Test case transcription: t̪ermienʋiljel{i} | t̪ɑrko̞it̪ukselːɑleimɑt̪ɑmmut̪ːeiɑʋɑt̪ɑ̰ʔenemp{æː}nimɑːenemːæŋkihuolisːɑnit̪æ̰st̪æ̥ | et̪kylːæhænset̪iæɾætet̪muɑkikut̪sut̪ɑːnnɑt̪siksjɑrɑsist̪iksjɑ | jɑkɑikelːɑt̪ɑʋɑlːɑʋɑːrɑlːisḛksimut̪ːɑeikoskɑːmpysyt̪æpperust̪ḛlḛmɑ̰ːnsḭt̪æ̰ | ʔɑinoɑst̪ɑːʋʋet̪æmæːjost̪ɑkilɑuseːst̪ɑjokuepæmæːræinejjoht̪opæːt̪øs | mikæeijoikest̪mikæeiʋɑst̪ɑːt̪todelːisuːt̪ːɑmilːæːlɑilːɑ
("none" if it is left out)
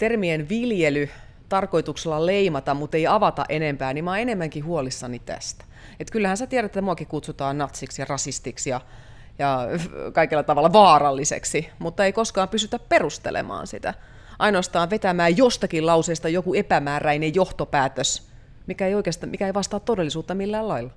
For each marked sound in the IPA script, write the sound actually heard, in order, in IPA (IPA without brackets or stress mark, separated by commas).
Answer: y, æː